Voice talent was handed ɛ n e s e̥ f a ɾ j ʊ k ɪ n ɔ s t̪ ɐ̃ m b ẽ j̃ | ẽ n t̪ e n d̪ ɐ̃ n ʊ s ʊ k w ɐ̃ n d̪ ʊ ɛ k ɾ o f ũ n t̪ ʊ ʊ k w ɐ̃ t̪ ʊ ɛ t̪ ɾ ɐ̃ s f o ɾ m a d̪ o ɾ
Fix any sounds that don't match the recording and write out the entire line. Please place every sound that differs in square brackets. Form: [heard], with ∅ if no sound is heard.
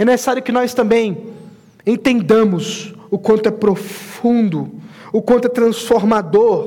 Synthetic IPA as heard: ɛ n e s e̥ [s] a ɾ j ʊ k ɪ n ɔ s t̪ ɐ̃ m b ẽ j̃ | ẽ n t̪ [ẽ] n d̪ ɐ̃ [m] ʊ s ʊ k w ɐ̃ n [t̪] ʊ ɛ [p] ɾ o f ũ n [d̪] ʊ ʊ k w ɐ̃ t̪ ʊ ɛ t̪ ɾ ɐ̃ s f o ɾ m a d̪ o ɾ